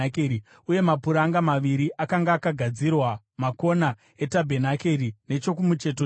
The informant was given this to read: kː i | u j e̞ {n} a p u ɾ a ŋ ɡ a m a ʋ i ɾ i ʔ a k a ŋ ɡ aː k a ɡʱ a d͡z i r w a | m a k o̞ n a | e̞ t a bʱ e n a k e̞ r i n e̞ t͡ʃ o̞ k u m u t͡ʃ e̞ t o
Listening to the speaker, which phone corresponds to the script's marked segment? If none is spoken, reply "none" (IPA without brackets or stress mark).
m